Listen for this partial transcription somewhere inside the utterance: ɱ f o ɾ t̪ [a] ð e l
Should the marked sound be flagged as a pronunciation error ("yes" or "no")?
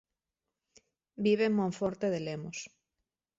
yes